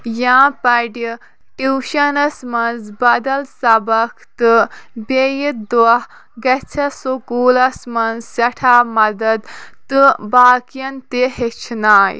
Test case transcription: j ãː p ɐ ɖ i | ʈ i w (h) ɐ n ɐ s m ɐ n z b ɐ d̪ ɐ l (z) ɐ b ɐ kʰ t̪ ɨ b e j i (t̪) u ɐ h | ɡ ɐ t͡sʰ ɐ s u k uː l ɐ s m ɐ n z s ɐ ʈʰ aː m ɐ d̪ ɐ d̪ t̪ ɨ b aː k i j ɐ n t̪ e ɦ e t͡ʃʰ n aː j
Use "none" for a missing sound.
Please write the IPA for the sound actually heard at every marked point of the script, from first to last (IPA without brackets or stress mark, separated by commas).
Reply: ʃ, s, d̪